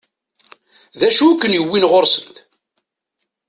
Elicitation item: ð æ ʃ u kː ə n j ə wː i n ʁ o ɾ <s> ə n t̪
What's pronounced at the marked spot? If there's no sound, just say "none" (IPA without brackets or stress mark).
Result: s